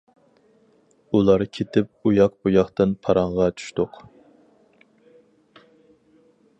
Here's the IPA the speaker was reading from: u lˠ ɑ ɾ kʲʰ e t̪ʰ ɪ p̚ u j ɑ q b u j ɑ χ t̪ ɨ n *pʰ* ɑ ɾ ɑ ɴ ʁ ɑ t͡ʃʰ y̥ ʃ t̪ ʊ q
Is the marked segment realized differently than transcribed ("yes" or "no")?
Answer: no